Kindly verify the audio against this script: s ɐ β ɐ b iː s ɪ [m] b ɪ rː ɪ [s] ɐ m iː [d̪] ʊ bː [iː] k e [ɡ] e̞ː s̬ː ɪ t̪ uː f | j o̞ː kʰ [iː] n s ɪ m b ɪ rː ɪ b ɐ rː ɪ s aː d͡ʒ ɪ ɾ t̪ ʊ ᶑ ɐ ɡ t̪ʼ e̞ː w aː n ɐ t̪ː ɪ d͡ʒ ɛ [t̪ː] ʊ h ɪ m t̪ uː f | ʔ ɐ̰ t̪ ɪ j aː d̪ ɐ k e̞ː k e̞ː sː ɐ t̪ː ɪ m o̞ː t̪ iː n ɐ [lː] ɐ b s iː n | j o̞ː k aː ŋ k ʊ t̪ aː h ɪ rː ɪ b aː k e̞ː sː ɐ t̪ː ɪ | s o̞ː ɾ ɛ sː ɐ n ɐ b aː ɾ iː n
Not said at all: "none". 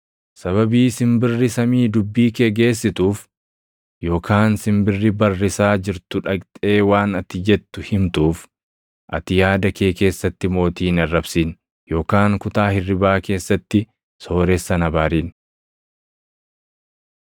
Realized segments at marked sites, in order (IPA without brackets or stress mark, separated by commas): m, s, d̪, iː, ɡ, aː, t̪ː, rː